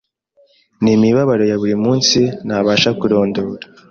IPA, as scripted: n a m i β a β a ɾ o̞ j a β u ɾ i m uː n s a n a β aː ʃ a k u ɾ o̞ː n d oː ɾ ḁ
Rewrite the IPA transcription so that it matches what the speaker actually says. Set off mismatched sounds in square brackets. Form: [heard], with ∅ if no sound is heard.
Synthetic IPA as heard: n [i] m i β a β a ɾ o̞ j a β u ɾ i m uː n s [i] n a β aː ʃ a k u ɾ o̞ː n d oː ɾ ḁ